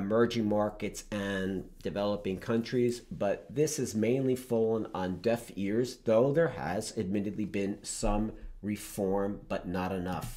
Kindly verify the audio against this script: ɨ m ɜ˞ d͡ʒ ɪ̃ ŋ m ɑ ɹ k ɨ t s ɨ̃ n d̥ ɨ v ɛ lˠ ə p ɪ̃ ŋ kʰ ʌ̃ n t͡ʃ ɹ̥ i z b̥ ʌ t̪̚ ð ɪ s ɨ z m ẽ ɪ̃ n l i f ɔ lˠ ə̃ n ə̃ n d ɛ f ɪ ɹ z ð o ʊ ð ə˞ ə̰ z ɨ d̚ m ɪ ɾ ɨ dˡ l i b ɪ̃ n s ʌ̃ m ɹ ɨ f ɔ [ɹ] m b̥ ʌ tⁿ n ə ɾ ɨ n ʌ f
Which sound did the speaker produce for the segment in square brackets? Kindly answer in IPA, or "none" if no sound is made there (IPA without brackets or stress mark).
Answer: ɹ